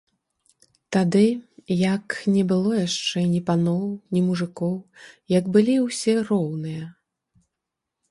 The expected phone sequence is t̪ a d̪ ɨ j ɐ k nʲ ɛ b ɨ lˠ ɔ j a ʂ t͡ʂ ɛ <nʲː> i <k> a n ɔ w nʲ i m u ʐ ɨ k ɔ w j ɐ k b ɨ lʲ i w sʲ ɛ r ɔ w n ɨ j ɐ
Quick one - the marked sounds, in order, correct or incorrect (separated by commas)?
incorrect, incorrect